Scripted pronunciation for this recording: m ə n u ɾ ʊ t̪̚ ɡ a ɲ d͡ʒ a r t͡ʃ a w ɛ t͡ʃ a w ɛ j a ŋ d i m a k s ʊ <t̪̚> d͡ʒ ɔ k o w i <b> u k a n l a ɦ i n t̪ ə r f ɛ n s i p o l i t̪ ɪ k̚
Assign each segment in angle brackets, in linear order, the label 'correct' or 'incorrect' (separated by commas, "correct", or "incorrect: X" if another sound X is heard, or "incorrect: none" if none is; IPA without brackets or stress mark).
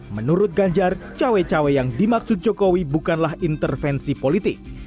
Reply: correct, correct